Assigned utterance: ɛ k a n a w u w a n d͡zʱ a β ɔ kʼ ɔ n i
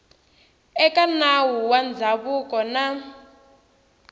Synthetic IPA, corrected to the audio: ɛ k a n a w u w a n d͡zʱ a β u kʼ ɔ n a